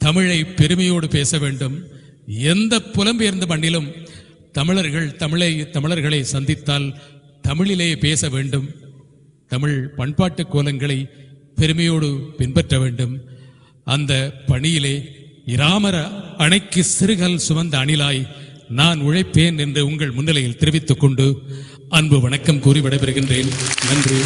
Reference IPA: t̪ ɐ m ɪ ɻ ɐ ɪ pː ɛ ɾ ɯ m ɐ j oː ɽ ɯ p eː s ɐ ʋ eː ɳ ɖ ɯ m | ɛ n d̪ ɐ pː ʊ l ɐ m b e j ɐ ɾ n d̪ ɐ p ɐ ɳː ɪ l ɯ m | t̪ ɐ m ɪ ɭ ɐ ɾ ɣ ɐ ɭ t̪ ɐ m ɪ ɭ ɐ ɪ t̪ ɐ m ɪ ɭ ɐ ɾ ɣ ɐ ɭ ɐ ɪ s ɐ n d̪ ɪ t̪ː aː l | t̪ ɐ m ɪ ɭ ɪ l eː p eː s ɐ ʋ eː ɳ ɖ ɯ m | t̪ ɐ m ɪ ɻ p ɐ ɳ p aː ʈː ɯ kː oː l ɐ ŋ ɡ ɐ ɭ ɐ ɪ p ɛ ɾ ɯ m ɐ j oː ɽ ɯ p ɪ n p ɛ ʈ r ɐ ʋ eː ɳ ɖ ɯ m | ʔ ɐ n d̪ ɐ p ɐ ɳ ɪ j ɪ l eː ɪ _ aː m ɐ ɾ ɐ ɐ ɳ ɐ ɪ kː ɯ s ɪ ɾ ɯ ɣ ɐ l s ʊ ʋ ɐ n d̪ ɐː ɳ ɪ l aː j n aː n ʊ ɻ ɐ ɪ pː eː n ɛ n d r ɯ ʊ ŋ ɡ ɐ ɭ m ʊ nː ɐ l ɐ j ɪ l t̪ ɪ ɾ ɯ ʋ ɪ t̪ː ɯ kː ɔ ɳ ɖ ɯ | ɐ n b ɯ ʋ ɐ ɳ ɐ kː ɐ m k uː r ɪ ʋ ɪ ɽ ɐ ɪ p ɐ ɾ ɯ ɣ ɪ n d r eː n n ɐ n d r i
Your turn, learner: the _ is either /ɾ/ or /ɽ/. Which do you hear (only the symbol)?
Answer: ɾ